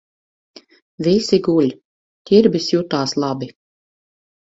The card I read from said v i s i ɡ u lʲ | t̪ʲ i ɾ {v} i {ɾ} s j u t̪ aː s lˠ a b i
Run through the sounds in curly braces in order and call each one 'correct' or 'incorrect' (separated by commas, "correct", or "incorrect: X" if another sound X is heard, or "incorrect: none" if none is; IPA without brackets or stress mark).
incorrect: b, incorrect: none